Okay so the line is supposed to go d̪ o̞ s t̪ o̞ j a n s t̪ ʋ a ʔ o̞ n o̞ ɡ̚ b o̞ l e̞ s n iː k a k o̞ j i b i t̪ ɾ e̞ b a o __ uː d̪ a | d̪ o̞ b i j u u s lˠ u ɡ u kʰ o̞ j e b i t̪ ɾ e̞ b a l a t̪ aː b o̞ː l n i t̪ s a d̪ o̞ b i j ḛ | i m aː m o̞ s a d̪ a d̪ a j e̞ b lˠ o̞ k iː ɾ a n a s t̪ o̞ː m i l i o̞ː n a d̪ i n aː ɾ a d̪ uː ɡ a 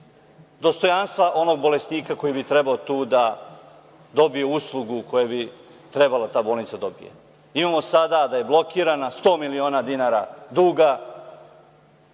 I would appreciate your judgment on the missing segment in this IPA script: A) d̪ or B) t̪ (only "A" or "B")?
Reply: B